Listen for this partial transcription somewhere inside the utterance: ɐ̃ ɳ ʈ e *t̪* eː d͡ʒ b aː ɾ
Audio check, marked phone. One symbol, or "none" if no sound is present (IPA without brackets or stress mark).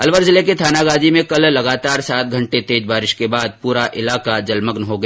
t̪